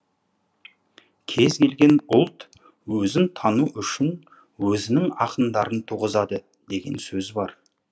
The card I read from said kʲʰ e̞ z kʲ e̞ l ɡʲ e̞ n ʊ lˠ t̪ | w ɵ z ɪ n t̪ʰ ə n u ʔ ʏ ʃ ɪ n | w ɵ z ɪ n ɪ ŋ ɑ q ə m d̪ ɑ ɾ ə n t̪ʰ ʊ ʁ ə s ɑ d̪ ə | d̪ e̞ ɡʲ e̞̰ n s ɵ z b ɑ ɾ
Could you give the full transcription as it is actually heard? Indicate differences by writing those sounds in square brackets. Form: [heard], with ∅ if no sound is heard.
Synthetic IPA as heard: kʲʰ e̞ z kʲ e̞ l ɡʲ e̞ n ʊ lˠ t̪ | w ɵ z ɪ n t̪ʰ [ɑ] n u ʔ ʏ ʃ ɪ n | w ɵ z ɪ n ɪ ŋ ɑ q ə [n] d̪ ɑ ɾ ə n t̪ʰ [u] ʁ ə [z] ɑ d̪ ə | d̪ e̞ ɡʲ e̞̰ n s ɵ z b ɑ ɾ